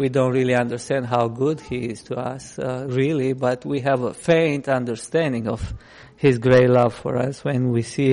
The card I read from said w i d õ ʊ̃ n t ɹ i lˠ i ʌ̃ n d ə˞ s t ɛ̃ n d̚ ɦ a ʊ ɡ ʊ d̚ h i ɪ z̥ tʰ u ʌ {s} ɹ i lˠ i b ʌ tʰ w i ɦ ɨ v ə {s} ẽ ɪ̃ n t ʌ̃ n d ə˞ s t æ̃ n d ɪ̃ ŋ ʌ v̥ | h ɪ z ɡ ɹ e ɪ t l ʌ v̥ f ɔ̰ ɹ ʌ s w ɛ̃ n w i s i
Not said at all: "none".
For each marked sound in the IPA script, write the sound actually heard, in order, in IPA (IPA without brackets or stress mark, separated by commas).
s, f